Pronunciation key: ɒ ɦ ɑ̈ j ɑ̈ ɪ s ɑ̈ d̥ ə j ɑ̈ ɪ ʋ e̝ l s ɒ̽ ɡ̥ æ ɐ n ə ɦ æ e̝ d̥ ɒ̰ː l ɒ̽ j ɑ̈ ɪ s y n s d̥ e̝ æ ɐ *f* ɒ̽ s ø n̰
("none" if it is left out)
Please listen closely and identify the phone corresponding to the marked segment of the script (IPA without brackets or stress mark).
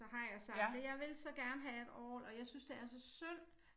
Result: s